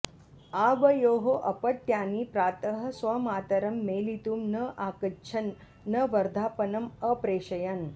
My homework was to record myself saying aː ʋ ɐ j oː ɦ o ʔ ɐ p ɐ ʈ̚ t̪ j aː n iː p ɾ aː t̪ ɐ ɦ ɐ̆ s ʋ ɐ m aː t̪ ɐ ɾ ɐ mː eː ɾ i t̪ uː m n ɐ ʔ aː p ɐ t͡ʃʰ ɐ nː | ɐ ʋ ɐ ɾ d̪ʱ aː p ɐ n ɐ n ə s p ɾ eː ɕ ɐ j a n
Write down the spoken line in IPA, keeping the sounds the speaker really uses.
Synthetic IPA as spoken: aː ʋ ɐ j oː ɦ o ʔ ɐ p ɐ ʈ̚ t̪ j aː n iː p ɾ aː t̪ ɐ ɦ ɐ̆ s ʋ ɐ m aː t̪ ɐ ɾ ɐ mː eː l i t̪ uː m n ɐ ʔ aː k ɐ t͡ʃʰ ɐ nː | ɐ ʋ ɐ ɾ d̪ʱ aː p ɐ n ɐ m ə p ɾ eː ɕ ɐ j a n